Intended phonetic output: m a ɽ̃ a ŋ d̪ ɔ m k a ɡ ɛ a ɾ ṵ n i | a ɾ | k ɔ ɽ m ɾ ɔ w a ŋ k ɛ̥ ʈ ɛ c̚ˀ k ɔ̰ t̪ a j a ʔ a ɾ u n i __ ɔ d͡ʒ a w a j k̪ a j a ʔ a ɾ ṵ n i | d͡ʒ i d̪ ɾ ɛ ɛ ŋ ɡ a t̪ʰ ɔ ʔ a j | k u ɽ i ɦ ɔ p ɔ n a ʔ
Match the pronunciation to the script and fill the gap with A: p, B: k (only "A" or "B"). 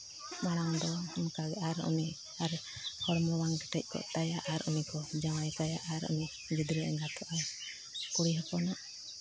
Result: B